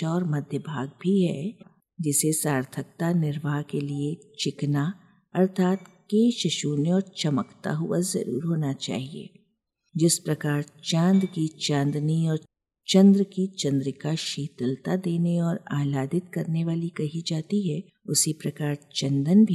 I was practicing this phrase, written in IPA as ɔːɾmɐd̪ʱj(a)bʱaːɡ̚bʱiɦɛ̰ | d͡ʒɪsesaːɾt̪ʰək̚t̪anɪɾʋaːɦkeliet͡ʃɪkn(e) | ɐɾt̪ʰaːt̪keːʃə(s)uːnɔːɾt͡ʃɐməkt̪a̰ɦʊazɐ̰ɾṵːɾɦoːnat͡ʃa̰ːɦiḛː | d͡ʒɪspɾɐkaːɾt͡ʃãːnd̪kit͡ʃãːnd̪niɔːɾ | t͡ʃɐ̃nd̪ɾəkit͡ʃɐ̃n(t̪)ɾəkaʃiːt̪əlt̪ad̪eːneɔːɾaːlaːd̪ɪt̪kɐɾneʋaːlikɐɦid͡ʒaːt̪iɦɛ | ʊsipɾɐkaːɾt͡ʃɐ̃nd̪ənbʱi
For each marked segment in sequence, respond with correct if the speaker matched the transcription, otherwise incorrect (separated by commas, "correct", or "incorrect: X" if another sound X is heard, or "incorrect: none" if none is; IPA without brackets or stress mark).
incorrect: ə, incorrect: a, incorrect: ʃ, incorrect: d̪